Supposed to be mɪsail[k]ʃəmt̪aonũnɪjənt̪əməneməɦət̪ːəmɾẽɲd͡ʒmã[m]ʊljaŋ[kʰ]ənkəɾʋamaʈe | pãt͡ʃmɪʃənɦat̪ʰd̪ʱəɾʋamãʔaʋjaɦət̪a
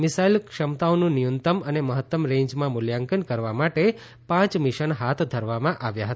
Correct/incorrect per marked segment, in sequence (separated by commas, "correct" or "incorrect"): correct, correct, incorrect